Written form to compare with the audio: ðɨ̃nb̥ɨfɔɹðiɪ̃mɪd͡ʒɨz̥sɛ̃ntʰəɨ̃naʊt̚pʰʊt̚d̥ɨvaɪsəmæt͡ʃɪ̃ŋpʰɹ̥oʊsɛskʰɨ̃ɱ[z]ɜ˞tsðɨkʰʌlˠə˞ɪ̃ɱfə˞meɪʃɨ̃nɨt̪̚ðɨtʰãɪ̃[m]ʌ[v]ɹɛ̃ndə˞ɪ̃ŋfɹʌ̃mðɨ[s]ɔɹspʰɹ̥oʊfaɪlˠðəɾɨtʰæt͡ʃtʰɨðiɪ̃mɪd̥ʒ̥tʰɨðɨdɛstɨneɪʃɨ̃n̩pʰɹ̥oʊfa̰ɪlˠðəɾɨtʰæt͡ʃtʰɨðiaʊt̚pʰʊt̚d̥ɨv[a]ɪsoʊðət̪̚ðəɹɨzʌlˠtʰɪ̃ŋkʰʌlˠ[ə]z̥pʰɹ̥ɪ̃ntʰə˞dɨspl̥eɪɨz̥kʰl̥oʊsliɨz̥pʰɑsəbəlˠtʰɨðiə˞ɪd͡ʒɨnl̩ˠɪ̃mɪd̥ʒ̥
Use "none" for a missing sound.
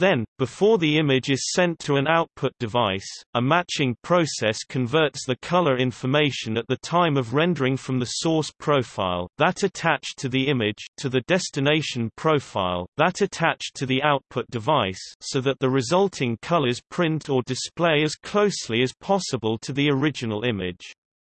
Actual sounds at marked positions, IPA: v, m, v, s, a, ə

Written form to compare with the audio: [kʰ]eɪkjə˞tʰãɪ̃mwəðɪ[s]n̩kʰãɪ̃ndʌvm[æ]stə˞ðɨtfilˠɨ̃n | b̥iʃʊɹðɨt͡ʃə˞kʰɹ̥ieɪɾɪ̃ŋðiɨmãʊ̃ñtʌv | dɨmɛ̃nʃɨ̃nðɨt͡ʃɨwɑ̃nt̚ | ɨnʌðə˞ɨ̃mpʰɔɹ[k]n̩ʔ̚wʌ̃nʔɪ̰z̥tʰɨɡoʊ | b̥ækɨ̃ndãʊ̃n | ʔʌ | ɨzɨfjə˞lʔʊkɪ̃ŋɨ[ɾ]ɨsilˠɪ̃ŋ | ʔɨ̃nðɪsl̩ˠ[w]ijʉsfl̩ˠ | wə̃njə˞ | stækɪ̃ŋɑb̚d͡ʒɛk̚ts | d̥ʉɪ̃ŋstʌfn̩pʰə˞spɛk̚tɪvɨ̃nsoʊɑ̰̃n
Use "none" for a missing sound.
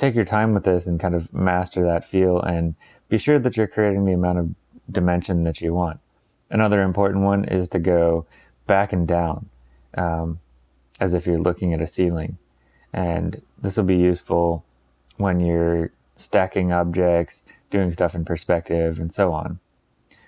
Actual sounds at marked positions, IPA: tʰ, s, æ, ʔ, ɾ, b

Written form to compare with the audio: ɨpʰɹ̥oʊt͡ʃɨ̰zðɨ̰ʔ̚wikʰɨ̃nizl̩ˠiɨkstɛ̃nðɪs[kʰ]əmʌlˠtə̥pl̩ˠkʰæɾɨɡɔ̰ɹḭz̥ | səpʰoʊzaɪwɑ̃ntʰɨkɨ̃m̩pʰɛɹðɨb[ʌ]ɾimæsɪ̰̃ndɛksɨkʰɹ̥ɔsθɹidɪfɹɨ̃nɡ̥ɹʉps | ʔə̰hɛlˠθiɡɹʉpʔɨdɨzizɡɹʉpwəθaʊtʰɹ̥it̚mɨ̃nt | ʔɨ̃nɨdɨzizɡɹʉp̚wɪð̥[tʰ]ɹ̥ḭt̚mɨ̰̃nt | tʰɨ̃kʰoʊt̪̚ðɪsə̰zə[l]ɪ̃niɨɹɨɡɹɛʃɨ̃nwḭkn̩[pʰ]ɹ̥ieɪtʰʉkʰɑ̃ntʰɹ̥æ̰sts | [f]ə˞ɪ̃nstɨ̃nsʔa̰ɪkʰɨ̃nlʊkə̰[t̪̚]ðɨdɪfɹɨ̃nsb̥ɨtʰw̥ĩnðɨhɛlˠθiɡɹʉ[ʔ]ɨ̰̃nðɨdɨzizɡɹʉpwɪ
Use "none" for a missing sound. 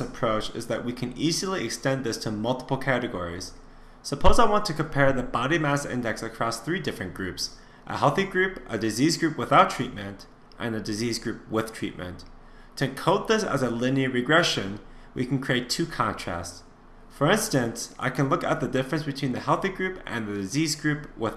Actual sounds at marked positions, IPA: tʰ, ɑ, tʰ, l, kʰ, f, t̪̚, p

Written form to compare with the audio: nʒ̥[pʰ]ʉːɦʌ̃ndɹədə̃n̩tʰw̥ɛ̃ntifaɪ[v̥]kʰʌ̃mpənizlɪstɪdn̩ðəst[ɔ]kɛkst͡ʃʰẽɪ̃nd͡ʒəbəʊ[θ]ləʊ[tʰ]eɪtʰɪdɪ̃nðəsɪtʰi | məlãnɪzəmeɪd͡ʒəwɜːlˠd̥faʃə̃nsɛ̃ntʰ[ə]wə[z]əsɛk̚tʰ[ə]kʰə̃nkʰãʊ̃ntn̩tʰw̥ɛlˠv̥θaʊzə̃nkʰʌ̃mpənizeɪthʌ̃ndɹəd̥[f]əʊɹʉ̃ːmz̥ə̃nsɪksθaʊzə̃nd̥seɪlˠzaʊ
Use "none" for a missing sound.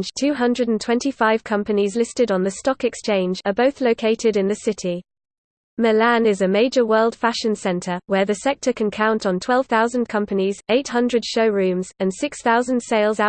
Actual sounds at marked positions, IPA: tʰ, v̥, ɒ, θ, kʰ, ə, ð, ə, ʃ

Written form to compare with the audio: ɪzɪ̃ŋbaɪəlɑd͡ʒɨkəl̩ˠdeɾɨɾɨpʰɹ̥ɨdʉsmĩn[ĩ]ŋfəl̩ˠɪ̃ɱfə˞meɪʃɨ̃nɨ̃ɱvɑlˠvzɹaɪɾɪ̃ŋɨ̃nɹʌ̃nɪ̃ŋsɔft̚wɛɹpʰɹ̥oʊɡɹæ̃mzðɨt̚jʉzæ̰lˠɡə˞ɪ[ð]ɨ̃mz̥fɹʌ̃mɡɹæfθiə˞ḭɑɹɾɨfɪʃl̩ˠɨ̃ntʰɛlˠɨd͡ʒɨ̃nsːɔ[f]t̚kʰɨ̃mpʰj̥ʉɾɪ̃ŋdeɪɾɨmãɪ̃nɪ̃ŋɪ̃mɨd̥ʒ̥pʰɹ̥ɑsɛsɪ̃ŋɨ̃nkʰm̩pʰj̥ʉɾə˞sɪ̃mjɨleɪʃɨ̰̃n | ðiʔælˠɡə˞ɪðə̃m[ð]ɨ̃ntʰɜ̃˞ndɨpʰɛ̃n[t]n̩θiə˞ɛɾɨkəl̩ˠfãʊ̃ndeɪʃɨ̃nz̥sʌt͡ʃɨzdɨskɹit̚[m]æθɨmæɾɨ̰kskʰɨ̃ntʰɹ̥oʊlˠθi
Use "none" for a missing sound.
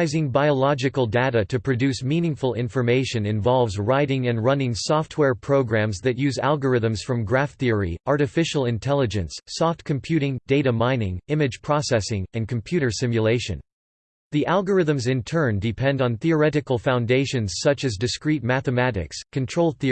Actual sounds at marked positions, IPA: ɪ̃, ð, f, z, d, m

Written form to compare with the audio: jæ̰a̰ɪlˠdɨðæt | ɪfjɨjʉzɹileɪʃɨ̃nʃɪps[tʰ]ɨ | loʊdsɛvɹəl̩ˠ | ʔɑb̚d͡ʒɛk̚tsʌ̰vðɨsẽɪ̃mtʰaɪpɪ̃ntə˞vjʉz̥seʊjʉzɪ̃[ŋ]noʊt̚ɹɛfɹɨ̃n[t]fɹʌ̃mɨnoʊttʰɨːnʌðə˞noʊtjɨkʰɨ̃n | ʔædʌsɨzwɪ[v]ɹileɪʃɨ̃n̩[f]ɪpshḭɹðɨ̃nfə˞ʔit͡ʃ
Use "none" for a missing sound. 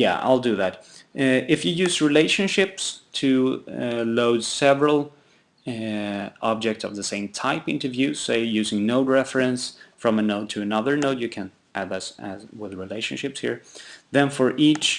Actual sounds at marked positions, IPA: tʰ, ŋ, s, ð, ʃ

